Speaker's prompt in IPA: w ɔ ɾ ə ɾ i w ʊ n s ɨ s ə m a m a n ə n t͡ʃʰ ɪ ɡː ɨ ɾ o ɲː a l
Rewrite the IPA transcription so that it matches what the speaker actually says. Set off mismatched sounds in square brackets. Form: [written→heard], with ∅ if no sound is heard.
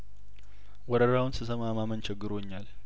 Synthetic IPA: w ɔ ɾ ə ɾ [i→a] w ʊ n s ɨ s ə m a m a [n→m] ə n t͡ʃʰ ɪ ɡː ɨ ɾ o ɲː a l